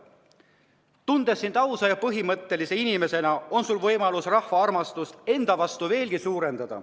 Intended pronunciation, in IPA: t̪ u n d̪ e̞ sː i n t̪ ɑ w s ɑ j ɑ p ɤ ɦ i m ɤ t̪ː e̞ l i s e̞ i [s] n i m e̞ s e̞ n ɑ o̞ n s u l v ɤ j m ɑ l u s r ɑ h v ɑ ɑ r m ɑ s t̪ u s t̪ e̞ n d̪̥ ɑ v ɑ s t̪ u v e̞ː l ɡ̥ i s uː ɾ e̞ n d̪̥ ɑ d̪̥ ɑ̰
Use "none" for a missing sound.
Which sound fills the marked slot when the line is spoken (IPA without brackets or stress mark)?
none